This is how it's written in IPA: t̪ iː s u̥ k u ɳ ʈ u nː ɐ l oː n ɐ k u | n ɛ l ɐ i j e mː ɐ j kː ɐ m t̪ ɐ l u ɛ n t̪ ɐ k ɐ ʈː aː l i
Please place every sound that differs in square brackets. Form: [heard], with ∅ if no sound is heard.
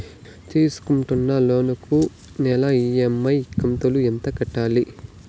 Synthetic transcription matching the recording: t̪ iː s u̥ k u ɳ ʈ u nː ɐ l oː n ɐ k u | n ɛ l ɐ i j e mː ɐ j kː ɐ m t̪ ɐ l u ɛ n t̪ ɐ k ɐ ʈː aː l i